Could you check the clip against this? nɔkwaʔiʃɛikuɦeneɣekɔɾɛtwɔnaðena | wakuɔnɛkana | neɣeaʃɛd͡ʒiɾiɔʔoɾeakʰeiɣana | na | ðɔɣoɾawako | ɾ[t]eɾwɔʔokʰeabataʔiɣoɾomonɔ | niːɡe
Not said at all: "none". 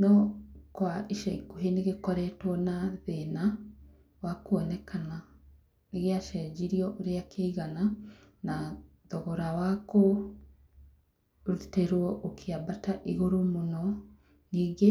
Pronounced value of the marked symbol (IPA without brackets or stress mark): t